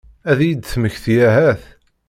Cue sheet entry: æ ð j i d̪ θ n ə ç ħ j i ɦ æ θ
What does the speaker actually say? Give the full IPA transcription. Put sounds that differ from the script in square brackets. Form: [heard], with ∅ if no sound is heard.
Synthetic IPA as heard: æ ð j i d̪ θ [m] ə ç [θ] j [æ] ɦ æ θ